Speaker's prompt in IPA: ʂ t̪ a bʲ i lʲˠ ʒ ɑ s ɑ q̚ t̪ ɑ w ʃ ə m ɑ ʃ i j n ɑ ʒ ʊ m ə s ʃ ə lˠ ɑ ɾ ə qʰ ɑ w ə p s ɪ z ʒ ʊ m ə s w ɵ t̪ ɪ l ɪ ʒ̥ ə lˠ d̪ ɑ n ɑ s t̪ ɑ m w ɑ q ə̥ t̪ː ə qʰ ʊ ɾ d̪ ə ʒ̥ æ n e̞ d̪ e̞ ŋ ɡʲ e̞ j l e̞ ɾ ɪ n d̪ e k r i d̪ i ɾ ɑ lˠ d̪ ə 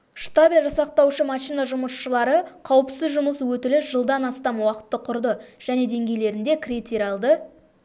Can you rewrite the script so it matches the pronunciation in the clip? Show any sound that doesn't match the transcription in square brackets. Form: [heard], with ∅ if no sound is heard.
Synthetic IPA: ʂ t̪ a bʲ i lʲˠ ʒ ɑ s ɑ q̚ t̪ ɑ w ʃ ə m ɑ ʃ i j n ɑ ʒ ʊ m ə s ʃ ə lˠ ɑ ɾ ə qʰ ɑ w ə p s ɪ z ʒ ʊ m ə s w ɵ t̪ ɪ l ɪ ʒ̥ ə lˠ d̪ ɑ n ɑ s t̪ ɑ m w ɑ q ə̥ t̪ː ə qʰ ʊ ɾ d̪ ə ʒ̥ æ n e̞ d̪ e̞ ŋ ɡʲ e̞ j l e̞ ɾ ɪ n d̪ e k r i [t̪] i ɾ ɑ lˠ d̪ ə